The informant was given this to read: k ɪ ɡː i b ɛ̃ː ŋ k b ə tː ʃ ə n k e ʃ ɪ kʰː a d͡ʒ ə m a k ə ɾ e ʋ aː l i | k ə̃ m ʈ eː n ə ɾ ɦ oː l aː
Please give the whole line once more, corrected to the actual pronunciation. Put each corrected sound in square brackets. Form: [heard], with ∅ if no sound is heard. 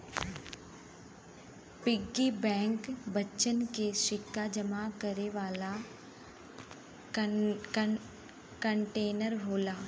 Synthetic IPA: [p] ɪ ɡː i b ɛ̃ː ŋ k b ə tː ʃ ə n k e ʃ ɪ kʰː a d͡ʒ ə m a k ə ɾ e ʋ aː l [a] | k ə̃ [ɳ] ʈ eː n ə ɾ ɦ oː l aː